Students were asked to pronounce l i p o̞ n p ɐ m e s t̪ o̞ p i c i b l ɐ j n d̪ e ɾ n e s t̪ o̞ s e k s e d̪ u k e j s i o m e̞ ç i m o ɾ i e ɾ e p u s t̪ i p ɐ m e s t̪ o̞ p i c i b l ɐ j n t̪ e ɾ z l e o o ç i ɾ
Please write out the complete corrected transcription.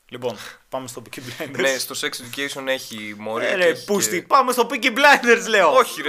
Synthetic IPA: l i p o̞ n p ɐ m e s t̪ o̞ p i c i b l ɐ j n d̪ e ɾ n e s t̪ o̞ s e k s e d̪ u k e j s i o n e̞ ç i m o ɾ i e ɾ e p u s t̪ i p ɐ m e s t̪ o̞ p i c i b l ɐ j n d̪ e ɾ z l e o o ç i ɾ